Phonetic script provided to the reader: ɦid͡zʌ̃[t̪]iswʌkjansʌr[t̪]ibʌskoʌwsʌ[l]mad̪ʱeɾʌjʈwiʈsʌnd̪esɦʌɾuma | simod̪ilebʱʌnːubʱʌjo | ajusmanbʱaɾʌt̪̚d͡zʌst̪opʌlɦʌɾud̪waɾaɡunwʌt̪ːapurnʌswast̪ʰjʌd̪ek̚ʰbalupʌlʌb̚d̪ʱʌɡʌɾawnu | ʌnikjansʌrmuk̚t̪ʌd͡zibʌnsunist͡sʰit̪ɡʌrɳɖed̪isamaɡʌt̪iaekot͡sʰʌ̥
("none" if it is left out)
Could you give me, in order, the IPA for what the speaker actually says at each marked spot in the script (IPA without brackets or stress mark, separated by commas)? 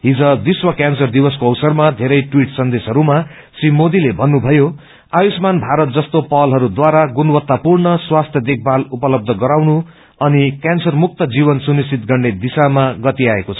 d̪, d̪, r